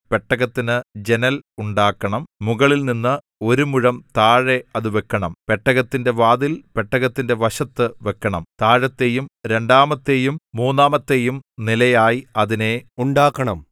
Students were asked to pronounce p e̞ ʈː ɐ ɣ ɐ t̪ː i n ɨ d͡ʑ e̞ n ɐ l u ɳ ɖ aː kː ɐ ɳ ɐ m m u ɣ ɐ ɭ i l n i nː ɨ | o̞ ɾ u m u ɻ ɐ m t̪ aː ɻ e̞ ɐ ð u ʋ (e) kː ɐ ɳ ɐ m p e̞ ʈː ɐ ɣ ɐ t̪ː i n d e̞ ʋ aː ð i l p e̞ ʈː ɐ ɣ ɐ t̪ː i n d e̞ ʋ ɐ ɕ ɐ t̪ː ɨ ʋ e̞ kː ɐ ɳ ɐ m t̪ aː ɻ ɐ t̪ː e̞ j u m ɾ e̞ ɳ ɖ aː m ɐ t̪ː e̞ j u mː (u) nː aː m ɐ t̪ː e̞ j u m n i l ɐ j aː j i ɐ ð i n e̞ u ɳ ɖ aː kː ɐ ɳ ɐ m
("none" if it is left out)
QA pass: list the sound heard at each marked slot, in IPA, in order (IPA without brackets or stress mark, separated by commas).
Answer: e, uː